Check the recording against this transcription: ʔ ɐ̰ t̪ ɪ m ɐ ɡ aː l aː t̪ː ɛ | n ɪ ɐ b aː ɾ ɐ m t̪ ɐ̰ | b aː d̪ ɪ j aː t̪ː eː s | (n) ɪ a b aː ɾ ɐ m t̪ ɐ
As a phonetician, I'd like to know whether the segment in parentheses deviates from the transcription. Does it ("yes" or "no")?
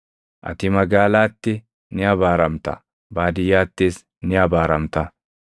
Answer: no